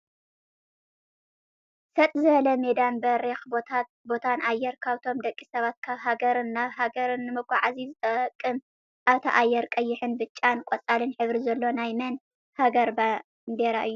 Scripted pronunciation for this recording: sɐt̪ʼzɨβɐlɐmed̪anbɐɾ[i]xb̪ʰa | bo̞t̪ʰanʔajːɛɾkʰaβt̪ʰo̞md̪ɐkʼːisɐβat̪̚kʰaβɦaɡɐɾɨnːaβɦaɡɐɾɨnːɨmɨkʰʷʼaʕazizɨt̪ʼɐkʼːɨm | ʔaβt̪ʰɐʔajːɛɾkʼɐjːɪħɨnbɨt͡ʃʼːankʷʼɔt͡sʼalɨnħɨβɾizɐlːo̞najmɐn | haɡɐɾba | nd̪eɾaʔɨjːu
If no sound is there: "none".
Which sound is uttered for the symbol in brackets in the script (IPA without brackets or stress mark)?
e